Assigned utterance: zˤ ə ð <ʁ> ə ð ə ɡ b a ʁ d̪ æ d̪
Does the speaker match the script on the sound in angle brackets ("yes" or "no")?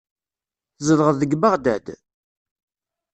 yes